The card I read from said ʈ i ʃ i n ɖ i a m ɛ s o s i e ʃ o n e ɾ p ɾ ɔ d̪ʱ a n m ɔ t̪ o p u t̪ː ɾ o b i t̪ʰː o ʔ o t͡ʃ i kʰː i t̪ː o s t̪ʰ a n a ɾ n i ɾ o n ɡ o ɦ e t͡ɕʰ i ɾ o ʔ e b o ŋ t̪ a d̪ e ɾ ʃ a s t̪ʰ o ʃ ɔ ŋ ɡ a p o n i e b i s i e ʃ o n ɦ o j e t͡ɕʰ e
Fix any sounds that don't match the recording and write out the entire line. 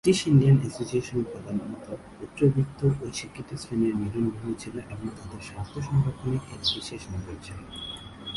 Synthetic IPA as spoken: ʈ i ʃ i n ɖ i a n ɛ s o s i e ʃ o n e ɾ p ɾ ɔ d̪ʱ a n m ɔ t̪ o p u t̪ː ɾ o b i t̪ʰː o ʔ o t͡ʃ i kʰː i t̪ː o s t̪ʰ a n e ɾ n i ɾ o n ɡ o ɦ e t͡ɕʰ i l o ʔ e b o ŋ t̪ a d̪ e ɾ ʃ a s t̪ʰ o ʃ ɔ ŋ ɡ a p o n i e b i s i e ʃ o n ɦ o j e t͡ɕʰ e